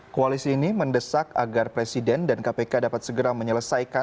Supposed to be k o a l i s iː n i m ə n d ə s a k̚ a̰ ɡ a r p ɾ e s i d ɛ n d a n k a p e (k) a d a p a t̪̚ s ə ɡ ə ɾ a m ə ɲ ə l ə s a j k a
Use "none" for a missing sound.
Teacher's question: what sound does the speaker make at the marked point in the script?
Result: k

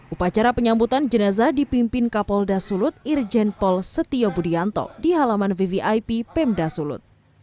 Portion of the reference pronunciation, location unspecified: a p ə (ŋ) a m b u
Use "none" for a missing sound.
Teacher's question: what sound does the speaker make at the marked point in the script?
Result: ɲ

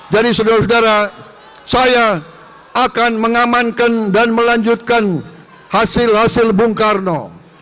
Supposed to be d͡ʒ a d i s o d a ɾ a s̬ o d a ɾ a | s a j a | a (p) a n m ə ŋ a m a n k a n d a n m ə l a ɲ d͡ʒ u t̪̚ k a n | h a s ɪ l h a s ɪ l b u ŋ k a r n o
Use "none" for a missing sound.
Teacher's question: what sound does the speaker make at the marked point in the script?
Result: k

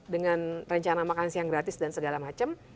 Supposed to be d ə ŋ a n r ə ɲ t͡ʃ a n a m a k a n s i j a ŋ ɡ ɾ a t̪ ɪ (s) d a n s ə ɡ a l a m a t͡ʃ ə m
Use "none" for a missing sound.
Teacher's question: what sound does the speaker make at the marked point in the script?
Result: s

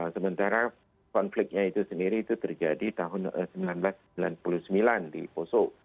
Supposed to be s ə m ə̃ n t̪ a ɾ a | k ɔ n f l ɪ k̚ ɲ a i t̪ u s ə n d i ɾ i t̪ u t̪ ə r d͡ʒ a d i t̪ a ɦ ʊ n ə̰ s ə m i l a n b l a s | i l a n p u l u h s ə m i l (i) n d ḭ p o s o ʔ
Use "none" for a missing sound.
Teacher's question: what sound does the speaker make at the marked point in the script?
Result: a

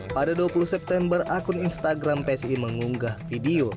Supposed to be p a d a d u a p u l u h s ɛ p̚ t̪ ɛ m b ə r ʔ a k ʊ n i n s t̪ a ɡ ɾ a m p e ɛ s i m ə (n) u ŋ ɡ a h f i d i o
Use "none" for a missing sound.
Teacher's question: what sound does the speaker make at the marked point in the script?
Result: ŋ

